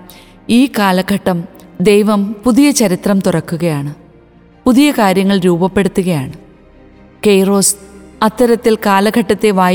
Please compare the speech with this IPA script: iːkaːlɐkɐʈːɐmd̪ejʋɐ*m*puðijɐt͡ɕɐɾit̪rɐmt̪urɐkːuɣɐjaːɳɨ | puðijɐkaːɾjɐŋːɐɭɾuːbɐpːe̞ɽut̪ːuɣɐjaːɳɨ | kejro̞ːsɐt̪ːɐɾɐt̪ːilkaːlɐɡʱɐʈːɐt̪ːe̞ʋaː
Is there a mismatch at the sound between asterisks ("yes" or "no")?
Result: no